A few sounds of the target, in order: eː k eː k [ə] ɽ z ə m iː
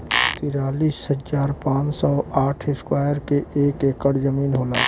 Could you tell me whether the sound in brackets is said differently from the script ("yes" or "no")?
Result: no